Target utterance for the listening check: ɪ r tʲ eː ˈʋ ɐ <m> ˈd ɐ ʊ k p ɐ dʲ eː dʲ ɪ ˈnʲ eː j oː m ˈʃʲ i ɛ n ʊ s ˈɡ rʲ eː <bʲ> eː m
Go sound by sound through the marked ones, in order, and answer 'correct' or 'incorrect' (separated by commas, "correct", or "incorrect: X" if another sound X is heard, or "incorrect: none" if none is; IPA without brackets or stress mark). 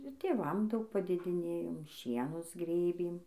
correct, correct